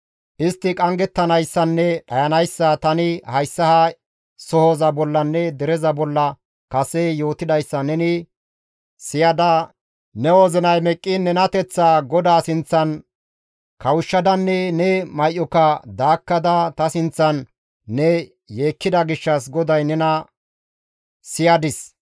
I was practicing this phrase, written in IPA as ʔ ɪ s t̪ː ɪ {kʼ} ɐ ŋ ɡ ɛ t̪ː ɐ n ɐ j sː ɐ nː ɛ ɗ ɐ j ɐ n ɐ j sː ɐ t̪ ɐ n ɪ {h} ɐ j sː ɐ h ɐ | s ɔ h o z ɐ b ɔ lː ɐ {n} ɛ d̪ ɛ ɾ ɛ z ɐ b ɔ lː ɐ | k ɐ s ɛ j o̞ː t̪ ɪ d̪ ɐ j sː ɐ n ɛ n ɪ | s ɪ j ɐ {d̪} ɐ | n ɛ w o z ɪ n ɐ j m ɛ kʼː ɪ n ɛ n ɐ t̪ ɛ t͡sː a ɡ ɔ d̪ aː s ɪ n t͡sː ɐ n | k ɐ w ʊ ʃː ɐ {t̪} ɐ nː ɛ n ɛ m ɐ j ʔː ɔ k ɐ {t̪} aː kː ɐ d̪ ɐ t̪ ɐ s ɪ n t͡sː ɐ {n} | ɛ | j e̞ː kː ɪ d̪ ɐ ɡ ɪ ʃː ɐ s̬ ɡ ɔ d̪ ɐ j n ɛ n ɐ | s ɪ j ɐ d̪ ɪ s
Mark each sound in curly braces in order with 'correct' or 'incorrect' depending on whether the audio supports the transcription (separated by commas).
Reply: correct, correct, incorrect, correct, incorrect, incorrect, incorrect